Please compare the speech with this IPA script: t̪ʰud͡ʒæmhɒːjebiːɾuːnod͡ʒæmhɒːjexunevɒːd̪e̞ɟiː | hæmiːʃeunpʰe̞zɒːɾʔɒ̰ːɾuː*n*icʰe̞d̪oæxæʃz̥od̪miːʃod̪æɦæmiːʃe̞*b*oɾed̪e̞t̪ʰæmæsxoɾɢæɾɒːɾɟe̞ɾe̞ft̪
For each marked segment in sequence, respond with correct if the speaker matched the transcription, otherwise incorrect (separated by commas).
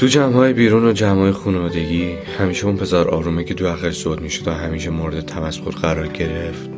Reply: incorrect, incorrect